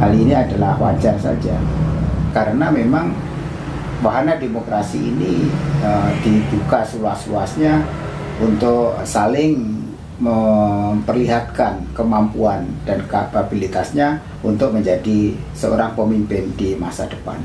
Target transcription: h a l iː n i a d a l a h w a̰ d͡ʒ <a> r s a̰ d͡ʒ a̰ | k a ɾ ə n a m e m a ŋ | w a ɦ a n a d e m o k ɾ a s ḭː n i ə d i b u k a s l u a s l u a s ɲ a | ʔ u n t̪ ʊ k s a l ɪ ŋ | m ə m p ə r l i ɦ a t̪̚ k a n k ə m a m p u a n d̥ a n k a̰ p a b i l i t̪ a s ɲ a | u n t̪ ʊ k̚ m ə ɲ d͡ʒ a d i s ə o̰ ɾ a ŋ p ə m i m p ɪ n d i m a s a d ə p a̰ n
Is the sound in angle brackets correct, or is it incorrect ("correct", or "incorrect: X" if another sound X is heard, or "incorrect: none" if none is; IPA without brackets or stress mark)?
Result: correct